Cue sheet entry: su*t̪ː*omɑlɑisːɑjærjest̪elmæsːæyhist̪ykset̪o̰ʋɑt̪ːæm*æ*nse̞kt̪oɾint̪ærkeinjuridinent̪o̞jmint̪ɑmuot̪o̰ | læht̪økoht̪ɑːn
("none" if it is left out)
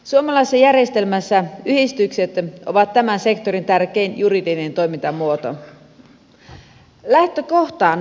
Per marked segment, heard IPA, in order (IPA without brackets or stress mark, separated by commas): none, æ